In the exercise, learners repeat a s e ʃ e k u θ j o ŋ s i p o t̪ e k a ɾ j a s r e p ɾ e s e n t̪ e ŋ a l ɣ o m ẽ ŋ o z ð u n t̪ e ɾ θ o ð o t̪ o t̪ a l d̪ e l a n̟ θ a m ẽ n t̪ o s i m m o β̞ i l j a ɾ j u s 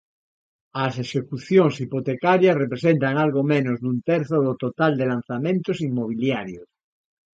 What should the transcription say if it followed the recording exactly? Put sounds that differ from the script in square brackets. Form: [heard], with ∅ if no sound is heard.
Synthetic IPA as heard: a s e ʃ e k u θ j o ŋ s i p o t̪ e k a ɾ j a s r e p ɾ e s e n t̪ [a] ŋ a l ɣ o m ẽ [n] o z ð u n t̪ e ɾ θ o ð o t̪ o t̪ a l d̪ e l a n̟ θ a m ẽ n t̪ o s i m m o β̞ i l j a ɾ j [o] s

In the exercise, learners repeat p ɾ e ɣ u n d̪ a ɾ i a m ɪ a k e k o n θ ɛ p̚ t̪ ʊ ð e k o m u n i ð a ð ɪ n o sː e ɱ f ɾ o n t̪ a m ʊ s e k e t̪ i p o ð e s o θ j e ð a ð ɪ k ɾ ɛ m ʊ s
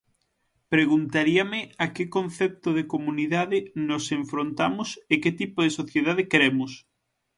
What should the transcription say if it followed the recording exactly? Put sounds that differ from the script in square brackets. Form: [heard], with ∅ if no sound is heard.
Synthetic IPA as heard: p ɾ e ɣ u n [t̪] a ɾ i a m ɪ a k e k o n θ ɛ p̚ t̪ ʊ ð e k o m u n i ð a ð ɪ n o [s] e ɱ f ɾ o n t̪ a m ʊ s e k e t̪ i p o ð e s o θ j e ð a ð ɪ k ɾ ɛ m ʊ s

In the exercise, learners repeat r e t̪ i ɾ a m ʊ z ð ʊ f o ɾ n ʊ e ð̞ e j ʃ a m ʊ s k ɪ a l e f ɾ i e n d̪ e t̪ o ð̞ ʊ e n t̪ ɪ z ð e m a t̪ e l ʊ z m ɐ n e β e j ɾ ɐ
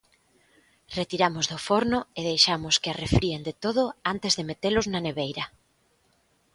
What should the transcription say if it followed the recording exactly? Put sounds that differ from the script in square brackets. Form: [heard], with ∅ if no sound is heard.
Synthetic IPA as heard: r e t̪ i ɾ a m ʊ z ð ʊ f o ɾ n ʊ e ð̞ e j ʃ a m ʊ s k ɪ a [r] e f ɾ i e n d̪ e t̪ o ð̞ ʊ [a] n t̪ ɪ z ð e m [e] t̪ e l ʊ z [n] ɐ n e β e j ɾ ɐ

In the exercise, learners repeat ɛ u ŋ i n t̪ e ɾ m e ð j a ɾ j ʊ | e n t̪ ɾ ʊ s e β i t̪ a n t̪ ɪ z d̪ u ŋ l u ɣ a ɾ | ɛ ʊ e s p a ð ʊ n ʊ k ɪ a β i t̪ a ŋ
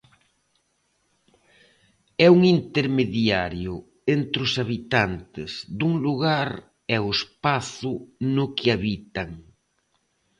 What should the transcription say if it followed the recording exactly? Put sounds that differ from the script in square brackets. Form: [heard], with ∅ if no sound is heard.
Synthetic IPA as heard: ɛ u ŋ i n t̪ e ɾ m e ð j a ɾ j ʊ | e n t̪ ɾ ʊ s [a] β i t̪ a n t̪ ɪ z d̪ u ŋ l u ɣ a ɾ | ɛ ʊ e s p a [θ] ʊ n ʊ k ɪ a β i t̪ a ŋ

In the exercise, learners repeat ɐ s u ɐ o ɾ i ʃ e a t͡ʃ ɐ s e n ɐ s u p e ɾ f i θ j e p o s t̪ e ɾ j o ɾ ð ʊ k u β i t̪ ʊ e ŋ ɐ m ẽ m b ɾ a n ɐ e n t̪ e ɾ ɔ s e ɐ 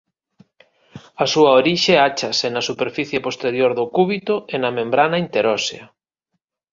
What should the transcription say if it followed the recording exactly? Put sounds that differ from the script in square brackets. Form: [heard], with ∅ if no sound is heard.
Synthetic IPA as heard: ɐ s u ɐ o ɾ i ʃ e a t͡ʃ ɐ s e n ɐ s u p e ɾ f i θ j e p o s t̪ e ɾ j o ɾ ð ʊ k u β i t̪ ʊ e [n] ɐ m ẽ m b ɾ a n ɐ [i] n t̪ e ɾ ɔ s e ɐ

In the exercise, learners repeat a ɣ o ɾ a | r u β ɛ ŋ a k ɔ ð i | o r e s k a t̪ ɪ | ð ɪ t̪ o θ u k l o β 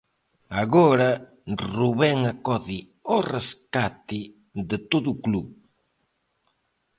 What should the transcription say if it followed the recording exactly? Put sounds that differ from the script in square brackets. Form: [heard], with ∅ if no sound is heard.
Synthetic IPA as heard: a ɣ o ɾ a | r u β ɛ ŋ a k ɔ ð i | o r e s k a t̪ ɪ | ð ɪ t̪ o [ð] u k l [u] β

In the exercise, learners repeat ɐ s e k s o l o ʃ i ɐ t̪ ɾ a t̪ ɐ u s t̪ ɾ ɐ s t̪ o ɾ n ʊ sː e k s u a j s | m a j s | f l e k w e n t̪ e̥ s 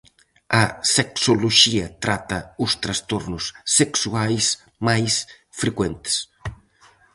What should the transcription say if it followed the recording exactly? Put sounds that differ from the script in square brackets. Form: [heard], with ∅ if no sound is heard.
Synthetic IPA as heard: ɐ s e k s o l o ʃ i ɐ t̪ ɾ a t̪ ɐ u s t̪ ɾ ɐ s t̪ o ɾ n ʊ sː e k s u a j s | m a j s | f [ɾ] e k w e n t̪ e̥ s

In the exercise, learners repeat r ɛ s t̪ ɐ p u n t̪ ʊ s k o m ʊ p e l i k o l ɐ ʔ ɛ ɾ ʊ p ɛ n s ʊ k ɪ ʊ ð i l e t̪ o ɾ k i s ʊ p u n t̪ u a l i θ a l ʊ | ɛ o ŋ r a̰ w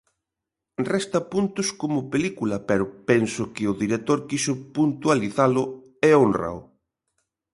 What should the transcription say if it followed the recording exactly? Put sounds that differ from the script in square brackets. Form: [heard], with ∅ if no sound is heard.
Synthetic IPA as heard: r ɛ s t̪ ɐ p u n t̪ ʊ s k o m ʊ p e l i k [u] l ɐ [p] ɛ ɾ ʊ p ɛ n s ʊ k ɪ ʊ ð i [ɾ] e t̪ o ɾ k i s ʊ p u n t̪ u a l i θ a l ʊ | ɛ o [n] r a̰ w

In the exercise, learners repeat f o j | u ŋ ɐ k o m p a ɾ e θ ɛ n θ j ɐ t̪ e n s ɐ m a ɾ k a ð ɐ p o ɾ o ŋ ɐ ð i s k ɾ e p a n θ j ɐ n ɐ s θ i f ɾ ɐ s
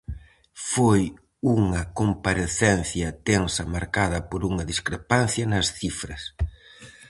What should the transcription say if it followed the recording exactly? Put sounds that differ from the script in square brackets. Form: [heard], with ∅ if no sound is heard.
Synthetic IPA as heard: f o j | u ŋ ɐ k o m p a ɾ e θ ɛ n θ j ɐ t̪ e n s ɐ m a ɾ k a ð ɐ p o ɾ [u] ŋ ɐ ð i s k ɾ e p a n θ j ɐ n ɐ s θ i f ɾ ɐ s

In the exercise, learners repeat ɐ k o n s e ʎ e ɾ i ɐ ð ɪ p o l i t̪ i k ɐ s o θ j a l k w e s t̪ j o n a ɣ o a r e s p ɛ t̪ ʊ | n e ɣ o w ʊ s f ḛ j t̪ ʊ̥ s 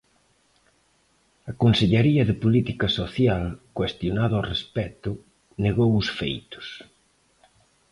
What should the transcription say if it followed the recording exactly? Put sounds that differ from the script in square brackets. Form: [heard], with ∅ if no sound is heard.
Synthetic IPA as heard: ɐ k o n s e ʎ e ɾ i ɐ ð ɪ p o l i t̪ i k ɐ s o θ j a l k w e s t̪ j o n a [ð] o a r e s p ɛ t̪ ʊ | n e ɣ o w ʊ s f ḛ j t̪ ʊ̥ s

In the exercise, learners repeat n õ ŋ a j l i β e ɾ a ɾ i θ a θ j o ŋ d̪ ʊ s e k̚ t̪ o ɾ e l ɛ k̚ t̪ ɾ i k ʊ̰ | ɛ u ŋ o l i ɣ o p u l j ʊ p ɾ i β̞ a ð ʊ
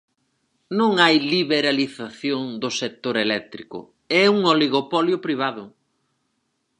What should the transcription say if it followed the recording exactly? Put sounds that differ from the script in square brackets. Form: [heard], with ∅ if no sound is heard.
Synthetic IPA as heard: n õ ŋ a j l i β e ɾ a [l] i θ a θ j o ŋ d̪ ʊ s e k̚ t̪ o ɾ e l ɛ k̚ t̪ ɾ i k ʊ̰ | ɛ u ŋ o l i ɣ o p [ɔ] l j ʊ p ɾ i β̞ a ð ʊ

